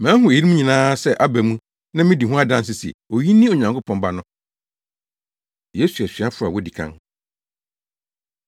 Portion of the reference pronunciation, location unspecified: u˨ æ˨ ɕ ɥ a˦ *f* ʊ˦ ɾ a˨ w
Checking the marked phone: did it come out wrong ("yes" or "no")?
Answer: no